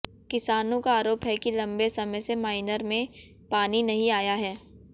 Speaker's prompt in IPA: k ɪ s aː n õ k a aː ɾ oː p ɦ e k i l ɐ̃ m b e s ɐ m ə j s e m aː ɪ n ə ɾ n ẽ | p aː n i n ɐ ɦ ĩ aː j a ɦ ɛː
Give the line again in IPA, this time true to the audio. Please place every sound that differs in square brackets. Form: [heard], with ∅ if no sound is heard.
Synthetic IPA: k ɪ s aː n õ k a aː ɾ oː p ɦ [ɛ] k i l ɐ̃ m b e s ɐ m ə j s e m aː ɪ n ə ɾ [m] ẽ | p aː n i n ɐ ɦ ĩ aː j a ɦ ɛː